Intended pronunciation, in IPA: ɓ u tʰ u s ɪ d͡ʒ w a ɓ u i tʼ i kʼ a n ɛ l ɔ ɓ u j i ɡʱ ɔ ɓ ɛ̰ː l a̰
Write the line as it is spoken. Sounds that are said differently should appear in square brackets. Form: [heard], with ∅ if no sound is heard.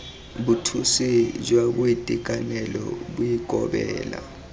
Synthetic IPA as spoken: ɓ u tʰ u s [i] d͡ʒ w a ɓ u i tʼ i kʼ a n ɛ l ɔ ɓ u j i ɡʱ ɔ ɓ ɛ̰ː l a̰